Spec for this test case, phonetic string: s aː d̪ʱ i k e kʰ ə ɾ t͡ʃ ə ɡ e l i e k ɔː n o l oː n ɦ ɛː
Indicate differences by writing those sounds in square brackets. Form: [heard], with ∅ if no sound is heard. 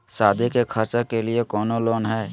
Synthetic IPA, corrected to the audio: s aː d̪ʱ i k e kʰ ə ɾ t͡ʃ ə [k] e l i e k ɔː n o l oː n ɦ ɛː